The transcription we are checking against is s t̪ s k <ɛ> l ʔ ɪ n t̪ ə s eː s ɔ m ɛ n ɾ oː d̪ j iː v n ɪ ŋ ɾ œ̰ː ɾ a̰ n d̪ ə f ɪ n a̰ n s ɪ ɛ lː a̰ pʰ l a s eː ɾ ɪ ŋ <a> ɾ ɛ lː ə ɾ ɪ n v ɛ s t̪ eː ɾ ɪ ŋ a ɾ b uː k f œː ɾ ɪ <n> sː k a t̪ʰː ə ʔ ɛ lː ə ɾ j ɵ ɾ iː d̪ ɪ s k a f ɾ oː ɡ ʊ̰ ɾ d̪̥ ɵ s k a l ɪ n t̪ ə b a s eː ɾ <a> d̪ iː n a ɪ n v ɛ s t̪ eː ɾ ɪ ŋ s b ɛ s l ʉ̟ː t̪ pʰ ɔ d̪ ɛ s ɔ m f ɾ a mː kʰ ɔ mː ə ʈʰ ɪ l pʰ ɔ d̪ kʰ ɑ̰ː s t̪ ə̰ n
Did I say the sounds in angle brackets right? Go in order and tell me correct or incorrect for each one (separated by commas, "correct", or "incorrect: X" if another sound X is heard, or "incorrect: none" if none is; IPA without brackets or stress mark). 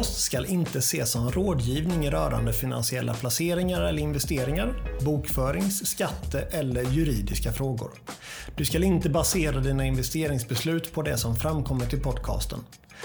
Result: incorrect: a, correct, incorrect: ŋ, correct